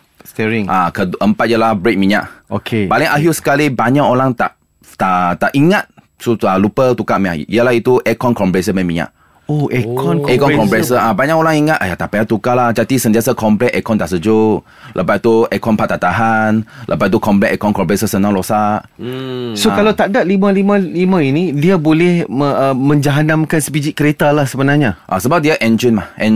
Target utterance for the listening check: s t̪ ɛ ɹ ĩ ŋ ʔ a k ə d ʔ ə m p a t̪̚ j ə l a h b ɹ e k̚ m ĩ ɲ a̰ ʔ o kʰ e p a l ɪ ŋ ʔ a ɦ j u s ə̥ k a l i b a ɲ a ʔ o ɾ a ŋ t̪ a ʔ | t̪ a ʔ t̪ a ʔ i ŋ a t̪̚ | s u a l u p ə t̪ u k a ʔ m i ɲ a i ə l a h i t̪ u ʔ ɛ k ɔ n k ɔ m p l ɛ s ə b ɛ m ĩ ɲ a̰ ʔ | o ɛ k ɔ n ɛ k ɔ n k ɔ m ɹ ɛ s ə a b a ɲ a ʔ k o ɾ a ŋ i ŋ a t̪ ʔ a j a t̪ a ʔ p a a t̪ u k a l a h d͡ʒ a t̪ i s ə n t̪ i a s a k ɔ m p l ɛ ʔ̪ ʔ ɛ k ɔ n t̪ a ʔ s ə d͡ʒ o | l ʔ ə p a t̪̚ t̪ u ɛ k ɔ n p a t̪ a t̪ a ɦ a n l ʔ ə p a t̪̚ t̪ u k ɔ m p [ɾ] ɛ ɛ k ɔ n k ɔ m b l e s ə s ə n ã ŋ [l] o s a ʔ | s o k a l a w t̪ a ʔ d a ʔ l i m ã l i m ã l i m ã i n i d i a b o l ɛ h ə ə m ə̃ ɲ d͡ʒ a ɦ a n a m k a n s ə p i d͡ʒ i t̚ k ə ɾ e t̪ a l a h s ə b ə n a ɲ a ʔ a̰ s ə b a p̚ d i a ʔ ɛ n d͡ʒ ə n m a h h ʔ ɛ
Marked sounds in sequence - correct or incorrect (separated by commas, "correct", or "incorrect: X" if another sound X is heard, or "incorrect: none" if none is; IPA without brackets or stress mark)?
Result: incorrect: l, correct